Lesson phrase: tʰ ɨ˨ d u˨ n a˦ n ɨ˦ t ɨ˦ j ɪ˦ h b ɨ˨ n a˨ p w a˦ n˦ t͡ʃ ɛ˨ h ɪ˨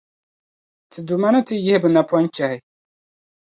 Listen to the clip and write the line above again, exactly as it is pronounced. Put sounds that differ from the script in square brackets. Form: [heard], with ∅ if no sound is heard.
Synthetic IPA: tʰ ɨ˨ d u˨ [m] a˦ n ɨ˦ t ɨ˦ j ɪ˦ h b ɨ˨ n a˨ p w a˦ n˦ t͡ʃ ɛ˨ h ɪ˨